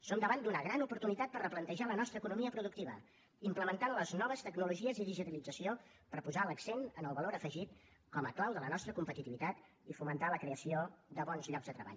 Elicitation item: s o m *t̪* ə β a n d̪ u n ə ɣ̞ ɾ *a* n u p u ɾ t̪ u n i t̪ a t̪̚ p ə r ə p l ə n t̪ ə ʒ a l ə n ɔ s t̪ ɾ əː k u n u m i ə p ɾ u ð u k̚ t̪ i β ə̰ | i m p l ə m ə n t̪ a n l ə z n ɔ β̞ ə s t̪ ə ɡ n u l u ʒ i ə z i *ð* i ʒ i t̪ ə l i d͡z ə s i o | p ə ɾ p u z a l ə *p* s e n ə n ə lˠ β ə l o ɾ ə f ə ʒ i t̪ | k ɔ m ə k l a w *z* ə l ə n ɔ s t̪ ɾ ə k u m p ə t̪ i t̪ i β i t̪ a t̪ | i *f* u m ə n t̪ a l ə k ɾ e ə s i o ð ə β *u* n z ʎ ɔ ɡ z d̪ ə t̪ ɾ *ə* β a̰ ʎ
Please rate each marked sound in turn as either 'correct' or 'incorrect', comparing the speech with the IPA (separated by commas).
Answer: incorrect, correct, correct, incorrect, incorrect, correct, incorrect, correct